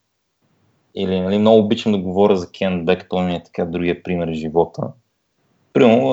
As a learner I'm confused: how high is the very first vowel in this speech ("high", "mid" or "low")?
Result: high